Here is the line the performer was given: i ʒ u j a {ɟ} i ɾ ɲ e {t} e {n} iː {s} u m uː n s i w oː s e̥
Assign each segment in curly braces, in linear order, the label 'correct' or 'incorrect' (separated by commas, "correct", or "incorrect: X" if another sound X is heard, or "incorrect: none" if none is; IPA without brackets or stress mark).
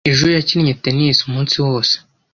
incorrect: c, correct, correct, correct